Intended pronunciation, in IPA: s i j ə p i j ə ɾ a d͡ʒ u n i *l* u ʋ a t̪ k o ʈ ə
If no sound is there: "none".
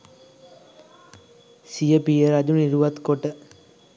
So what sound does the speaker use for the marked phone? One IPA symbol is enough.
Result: ɾ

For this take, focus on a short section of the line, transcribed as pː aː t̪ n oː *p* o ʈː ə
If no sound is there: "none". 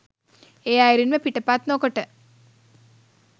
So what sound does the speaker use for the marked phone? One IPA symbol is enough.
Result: k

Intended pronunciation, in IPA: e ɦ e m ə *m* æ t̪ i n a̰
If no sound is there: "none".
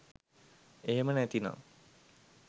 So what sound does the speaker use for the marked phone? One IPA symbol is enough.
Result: n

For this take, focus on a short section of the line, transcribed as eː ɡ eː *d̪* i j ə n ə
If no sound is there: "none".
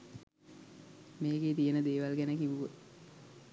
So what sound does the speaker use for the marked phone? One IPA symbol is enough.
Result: t̪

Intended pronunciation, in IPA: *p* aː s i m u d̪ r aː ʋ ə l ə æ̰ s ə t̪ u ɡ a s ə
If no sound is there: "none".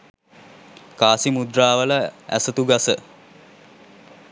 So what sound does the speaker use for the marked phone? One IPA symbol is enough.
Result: k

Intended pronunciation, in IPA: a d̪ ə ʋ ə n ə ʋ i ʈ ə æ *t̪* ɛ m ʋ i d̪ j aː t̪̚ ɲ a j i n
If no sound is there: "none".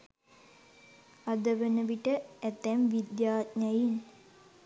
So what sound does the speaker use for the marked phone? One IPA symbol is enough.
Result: t̪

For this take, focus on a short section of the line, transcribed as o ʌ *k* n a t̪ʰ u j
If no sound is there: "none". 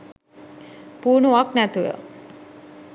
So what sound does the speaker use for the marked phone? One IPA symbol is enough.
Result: k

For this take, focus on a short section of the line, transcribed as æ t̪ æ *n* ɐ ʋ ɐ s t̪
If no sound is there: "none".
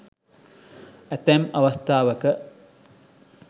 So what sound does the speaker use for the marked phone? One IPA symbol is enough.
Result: m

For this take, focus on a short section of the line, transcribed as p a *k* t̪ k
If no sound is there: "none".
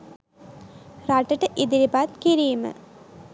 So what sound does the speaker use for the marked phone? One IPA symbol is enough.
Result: none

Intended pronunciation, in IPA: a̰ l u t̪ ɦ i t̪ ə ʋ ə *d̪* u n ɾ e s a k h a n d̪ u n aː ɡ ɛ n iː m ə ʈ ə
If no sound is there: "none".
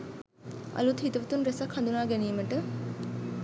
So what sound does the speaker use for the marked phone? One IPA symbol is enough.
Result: t̪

